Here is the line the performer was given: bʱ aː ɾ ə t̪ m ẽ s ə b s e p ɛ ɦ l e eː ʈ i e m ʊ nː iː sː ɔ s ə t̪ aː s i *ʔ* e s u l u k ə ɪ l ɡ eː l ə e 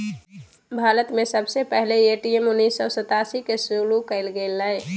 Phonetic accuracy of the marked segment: incorrect: k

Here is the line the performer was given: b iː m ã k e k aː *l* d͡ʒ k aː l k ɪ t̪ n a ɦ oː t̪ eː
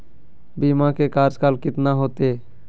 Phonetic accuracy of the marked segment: incorrect: ɾ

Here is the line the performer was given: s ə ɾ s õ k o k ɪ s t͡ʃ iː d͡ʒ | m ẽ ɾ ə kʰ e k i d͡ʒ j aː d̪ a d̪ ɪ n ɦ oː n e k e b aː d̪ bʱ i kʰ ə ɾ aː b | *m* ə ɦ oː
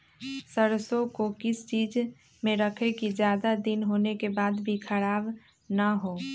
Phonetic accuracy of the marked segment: incorrect: n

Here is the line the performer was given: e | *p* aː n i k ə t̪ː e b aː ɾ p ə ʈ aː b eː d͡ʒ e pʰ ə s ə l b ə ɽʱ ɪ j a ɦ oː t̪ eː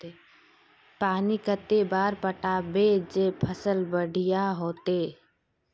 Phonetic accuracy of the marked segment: correct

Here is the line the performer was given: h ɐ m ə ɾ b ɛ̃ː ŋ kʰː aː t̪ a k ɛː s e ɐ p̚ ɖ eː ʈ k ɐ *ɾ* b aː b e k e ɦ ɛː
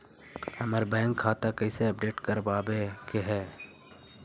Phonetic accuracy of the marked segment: correct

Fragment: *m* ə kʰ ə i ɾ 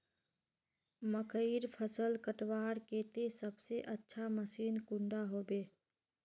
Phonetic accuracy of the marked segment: correct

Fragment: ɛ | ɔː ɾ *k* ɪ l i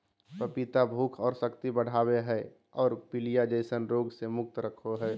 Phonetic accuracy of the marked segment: incorrect: p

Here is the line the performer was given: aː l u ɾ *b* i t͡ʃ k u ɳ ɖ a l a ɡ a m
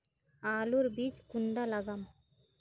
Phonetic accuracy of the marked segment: correct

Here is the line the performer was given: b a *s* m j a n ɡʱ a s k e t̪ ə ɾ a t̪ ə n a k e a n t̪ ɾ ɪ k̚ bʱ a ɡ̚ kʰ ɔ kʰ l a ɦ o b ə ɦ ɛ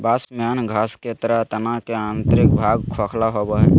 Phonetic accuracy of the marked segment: correct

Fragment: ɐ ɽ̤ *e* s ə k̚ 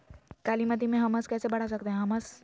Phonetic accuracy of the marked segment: incorrect: a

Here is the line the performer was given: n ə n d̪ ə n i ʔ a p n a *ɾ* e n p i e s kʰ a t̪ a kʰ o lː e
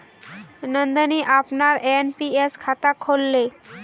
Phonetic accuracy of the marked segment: correct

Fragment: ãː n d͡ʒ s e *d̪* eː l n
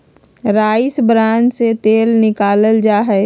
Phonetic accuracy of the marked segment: incorrect: t̪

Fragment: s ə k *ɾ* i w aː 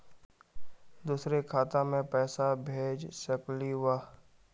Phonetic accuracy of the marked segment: incorrect: l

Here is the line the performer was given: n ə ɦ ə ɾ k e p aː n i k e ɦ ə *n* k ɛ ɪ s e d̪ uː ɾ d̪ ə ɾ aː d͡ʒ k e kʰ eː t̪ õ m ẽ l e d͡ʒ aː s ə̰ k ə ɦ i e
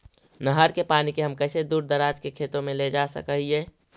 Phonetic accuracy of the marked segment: incorrect: m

